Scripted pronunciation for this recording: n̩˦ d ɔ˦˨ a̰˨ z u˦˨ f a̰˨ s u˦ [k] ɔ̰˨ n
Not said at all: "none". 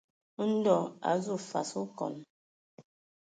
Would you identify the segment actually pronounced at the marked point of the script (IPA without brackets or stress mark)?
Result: k